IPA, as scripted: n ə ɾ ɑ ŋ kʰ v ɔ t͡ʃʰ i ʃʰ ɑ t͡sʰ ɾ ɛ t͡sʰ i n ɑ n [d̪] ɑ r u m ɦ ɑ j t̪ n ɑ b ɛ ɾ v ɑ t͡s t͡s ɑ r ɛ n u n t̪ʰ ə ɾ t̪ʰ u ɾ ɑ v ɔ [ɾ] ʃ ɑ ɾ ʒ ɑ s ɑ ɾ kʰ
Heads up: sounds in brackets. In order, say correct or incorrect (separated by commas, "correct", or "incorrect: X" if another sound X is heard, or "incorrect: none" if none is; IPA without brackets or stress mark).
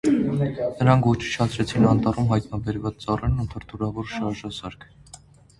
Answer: incorrect: t̪, correct